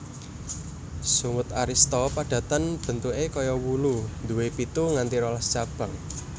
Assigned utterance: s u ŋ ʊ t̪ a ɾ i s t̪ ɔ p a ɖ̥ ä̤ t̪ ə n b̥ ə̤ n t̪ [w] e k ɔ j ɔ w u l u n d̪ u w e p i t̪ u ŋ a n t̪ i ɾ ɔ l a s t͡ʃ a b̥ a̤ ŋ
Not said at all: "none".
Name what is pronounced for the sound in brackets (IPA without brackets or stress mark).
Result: u